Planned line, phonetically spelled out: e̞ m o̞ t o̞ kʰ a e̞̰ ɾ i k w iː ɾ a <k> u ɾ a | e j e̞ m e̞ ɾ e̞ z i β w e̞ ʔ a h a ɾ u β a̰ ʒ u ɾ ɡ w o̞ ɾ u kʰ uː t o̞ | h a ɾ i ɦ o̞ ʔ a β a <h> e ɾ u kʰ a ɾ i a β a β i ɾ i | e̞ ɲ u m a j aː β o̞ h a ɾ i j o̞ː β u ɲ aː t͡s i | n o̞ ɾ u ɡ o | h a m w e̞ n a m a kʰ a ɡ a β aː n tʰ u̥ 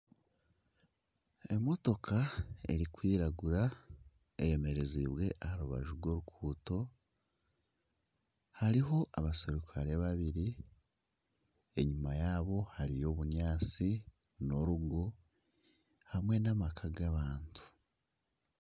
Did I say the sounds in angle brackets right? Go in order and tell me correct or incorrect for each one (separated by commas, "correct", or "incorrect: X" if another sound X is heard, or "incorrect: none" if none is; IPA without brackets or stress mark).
incorrect: ɡ, incorrect: s